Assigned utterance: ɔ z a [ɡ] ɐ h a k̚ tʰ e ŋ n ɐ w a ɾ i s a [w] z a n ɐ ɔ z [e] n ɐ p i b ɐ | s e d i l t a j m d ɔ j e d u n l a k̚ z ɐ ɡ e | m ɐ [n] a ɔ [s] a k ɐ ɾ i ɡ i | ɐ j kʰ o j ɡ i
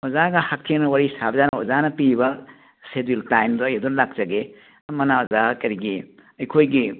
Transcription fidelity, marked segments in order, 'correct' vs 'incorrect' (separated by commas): correct, incorrect, incorrect, correct, incorrect